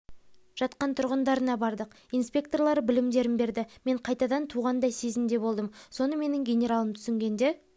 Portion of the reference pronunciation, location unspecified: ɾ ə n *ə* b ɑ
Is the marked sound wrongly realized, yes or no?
yes